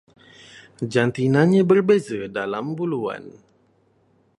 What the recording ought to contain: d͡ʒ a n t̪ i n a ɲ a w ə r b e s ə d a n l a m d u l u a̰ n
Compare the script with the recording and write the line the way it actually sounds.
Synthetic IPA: d͡ʒ a n t̪ i n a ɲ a b ə r b e z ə d a l a m b u l u a̰ n

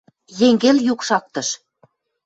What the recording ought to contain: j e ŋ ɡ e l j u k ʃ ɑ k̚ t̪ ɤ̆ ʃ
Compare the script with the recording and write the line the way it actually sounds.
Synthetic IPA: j e ŋ ɡ e l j u k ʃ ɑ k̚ t̪ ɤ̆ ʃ

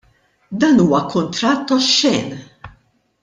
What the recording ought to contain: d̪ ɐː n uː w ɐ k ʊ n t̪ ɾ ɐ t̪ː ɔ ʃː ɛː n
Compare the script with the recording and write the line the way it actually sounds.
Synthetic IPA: d̪ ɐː n uː w ɐ k ʊ n t̪ ɾ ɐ t̪ː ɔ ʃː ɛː n

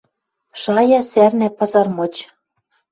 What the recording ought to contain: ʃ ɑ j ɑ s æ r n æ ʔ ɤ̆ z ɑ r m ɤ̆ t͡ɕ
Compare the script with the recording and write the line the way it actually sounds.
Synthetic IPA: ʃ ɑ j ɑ s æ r n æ p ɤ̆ z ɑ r m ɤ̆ t͡ɕ

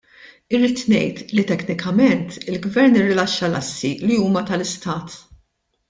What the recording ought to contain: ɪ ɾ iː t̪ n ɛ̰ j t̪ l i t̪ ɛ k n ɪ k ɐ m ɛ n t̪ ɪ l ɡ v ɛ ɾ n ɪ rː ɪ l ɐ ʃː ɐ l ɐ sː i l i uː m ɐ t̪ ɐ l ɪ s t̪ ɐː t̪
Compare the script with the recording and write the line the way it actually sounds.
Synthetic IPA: ɪ ɾ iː t̪ n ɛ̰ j t̪ l i t̪ ɛ k n ɪ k ɐ m ɛ n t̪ ɪ l ɡ v ɛ ɾ n ɪ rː ɪ l ɐ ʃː ɐ l ɐ sː i l i uː m ɐ t̪ ɐ l ɪ s t̪ ɐː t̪

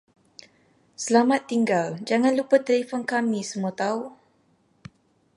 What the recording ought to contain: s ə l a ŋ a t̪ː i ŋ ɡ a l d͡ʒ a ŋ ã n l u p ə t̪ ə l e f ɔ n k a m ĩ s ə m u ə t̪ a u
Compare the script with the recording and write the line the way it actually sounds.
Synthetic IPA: s ə l a m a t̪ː i ŋ ɡ a l d͡ʒ a ŋ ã n l u p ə t̪ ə l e f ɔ n k a m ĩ s ə m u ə t̪ a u

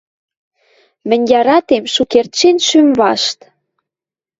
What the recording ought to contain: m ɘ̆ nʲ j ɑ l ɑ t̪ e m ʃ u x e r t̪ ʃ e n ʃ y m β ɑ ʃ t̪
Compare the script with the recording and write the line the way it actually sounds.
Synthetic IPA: m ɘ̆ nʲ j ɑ ɾ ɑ t̪ e m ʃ u k e r t̪ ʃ e n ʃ y m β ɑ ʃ t̪

